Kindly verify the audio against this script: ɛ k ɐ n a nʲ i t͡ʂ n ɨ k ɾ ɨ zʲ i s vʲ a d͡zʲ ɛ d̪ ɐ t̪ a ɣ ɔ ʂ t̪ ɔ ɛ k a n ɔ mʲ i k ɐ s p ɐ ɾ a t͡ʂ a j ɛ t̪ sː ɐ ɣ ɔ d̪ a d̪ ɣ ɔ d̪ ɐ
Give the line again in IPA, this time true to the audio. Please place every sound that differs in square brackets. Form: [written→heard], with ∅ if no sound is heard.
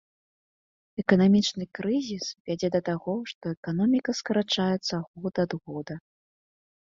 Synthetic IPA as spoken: ɛ k ɐ n a [nʲ→mʲ] i t͡ʂ n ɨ k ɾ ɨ zʲ i s vʲ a d͡zʲ ɛ d̪ ɐ t̪ a ɣ ɔ ʂ t̪ ɔ ɛ k a n ɔ mʲ i k ɐ s [p→k] ɐ ɾ a t͡ʂ a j ɛ t̪ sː ɐ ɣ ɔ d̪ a d̪ ɣ ɔ d̪ ɐ